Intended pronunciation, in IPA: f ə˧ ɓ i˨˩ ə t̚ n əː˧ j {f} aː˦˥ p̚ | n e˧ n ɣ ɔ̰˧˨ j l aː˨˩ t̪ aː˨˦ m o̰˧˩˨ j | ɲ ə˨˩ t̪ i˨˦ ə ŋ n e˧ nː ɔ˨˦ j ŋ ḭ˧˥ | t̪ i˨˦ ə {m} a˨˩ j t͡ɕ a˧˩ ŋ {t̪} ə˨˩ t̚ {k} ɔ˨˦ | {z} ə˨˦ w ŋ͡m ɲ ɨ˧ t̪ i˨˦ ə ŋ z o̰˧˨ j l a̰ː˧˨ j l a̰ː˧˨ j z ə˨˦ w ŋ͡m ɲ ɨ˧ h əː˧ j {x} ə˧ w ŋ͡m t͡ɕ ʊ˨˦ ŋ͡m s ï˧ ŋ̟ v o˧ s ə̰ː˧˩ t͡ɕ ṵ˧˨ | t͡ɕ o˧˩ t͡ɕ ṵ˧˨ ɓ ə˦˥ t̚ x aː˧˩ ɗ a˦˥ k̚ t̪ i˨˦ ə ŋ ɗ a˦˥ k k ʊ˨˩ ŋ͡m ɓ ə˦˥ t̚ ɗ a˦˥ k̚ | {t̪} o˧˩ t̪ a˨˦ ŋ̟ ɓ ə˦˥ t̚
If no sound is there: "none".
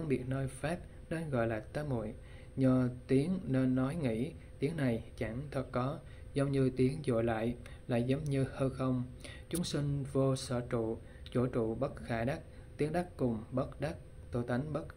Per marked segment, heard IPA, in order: f, ŋ, t̪ʰ, k, z, x, t̪

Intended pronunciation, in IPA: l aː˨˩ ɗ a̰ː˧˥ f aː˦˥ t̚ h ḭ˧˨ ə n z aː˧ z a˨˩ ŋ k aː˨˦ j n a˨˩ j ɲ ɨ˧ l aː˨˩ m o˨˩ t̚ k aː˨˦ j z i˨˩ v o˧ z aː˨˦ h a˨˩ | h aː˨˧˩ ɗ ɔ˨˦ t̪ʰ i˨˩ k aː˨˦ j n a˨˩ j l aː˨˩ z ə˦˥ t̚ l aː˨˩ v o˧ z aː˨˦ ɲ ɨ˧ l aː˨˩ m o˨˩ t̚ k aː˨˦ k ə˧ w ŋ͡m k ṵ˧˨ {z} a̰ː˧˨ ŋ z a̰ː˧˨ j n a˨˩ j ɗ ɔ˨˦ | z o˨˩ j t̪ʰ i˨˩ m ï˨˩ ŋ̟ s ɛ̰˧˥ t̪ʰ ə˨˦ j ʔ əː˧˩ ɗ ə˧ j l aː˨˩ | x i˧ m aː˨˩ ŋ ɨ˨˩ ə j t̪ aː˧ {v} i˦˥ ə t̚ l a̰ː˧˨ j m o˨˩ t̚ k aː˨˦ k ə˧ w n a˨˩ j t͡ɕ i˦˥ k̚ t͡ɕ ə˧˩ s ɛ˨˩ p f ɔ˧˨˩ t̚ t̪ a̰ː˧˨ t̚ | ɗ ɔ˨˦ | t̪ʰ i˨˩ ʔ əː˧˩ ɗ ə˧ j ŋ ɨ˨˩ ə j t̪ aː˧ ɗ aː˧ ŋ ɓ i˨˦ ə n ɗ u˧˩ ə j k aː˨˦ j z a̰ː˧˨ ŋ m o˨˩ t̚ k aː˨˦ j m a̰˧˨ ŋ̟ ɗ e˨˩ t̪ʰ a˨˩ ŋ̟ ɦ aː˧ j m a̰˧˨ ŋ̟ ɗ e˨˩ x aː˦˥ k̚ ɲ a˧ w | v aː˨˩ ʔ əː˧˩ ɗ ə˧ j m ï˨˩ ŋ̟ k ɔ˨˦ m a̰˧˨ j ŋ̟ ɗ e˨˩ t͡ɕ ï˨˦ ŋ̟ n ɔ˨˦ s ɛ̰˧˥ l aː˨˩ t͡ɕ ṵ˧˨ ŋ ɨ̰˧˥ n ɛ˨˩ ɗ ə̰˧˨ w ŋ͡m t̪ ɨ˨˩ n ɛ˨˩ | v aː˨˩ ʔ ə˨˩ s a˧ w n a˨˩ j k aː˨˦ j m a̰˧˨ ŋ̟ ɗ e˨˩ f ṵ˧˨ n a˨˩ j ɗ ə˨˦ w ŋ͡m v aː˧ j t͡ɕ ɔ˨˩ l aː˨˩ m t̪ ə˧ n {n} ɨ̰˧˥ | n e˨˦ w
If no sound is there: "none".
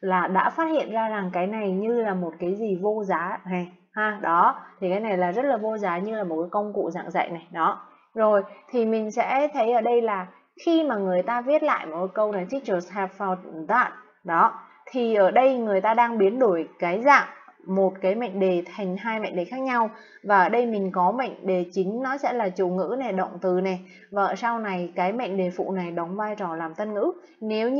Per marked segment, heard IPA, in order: z, v, ŋ

